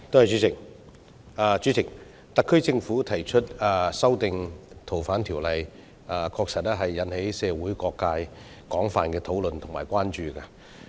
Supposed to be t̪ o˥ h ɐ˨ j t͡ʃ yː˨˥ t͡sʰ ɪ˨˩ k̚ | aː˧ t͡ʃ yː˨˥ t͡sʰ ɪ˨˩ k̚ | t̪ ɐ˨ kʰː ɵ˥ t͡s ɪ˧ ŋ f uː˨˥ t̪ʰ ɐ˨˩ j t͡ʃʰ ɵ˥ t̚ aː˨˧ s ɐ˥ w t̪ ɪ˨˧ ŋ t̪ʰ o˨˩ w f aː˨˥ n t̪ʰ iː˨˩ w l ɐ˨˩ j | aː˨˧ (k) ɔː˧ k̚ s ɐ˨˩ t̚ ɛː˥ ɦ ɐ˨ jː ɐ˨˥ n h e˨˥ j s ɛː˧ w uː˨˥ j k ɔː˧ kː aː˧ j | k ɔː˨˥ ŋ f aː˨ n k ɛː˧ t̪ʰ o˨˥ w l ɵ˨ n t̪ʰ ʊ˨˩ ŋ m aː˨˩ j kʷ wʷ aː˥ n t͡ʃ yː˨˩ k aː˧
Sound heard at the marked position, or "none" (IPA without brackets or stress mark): kʰ